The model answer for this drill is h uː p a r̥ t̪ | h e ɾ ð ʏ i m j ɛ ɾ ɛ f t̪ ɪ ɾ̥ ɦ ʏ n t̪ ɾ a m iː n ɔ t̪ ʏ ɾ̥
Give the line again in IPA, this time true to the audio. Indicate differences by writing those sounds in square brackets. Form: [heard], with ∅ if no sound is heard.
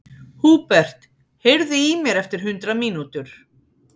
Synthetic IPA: h uː p [ɛ] r̥ t̪ | h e ɾ ð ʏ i m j ɛ ɾ ɛ f t̪ ɪ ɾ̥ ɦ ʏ n t̪ ɾ a m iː n [u] t̪ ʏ ɾ̥